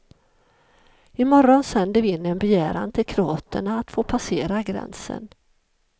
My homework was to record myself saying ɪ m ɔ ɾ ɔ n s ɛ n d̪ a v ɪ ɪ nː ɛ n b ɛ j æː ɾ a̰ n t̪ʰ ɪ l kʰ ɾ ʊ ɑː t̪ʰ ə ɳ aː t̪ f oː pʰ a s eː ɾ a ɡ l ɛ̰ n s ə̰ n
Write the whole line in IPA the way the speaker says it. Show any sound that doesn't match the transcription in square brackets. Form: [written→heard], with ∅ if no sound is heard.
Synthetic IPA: ɪ m ɔ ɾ ɔ n s ɛ n d̪ [a→ə] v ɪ ɪ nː ɛ n b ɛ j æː ɾ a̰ n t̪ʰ ɪ l kʰ ɾ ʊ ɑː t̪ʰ ə ɳ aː t̪ f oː pʰ a s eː ɾ a ɡ [l→ɾ] ɛ̰ n s ə̰ n